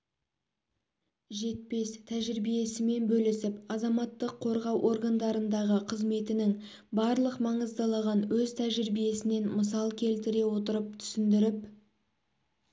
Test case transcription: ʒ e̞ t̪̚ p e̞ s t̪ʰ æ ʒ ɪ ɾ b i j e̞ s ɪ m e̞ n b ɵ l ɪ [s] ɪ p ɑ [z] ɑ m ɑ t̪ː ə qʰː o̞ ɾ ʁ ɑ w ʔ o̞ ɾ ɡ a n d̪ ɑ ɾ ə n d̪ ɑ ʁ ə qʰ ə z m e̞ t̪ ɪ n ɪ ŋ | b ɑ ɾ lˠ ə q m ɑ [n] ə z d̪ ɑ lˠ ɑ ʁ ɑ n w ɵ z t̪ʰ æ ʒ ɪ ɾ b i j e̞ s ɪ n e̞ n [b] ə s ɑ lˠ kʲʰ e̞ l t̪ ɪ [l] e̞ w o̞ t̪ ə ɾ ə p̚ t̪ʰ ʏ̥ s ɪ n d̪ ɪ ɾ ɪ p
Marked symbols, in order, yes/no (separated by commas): yes, yes, no, no, no